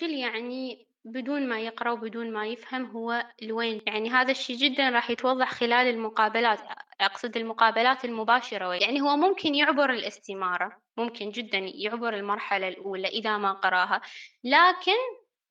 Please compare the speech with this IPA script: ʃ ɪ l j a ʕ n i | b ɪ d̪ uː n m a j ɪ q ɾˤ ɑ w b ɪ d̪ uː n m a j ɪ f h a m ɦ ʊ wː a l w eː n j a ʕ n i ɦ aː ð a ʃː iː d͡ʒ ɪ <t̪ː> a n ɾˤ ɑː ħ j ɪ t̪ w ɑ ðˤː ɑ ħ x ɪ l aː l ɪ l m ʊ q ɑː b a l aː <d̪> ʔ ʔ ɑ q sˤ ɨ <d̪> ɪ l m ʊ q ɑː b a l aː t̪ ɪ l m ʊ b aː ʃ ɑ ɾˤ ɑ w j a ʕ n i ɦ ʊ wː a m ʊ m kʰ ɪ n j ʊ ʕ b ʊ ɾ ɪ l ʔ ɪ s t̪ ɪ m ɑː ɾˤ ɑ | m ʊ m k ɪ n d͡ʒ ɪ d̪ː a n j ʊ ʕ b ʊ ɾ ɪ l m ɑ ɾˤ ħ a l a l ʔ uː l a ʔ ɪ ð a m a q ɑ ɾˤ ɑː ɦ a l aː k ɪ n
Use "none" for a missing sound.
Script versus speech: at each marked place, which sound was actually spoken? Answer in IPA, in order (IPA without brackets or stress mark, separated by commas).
d̪ː, t̪, d̪